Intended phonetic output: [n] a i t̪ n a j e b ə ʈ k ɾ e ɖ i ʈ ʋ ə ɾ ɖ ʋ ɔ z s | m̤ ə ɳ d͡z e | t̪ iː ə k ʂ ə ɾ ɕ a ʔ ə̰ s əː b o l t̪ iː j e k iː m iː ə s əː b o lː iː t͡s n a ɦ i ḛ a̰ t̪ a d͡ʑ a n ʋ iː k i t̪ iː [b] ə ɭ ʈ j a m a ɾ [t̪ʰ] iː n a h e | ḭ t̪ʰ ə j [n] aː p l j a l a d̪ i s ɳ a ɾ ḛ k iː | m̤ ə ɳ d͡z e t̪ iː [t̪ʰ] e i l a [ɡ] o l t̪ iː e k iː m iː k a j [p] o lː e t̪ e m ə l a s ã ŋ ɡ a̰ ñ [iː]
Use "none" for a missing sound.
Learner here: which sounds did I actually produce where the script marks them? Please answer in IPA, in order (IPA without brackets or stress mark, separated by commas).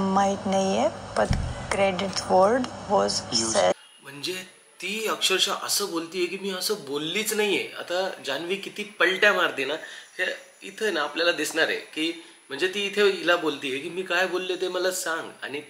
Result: m, p, t̪, n, t̪ʰ, b, b, i